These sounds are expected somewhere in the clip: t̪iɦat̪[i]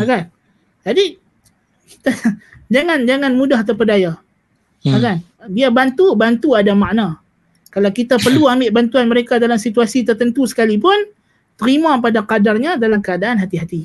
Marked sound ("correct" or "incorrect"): correct